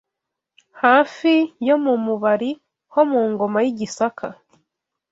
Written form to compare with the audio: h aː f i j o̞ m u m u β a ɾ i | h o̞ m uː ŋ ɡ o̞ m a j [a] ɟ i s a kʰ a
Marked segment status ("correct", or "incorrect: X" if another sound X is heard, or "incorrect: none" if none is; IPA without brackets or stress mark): incorrect: i